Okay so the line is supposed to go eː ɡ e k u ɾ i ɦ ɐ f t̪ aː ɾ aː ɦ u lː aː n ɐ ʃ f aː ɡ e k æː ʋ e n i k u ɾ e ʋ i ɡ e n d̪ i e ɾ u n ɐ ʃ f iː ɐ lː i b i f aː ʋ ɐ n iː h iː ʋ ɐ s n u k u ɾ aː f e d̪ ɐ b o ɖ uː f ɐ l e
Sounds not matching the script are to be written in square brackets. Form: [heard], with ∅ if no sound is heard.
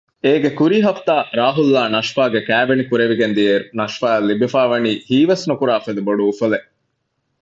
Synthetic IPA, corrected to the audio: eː ɡ e k u ɾ i ɦ ɐ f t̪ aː ɾ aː ɦ u lː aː n ɐ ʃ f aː ɡ e k æː ʋ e n i k u ɾ e ʋ i ɡ e n d̪ i e ɾ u n ɐ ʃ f [aː] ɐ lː i b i f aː ʋ ɐ n iː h iː ʋ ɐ s n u k u ɾ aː f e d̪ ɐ b o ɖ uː f ɐ l e